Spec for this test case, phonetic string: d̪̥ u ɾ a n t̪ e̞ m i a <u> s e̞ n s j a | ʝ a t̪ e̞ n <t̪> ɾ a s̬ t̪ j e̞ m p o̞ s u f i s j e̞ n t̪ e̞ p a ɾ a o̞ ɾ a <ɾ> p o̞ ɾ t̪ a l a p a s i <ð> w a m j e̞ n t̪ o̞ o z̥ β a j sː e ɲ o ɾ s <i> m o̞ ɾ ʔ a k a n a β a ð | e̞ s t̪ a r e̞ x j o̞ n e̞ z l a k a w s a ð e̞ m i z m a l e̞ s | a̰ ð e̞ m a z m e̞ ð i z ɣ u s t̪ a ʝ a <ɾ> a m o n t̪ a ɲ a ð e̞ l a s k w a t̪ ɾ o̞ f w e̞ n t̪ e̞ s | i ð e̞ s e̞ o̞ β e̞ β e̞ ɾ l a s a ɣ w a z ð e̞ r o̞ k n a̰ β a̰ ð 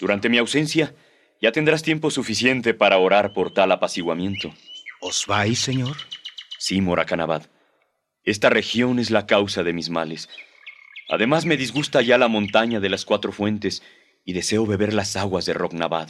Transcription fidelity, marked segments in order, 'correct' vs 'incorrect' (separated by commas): incorrect, incorrect, correct, incorrect, correct, incorrect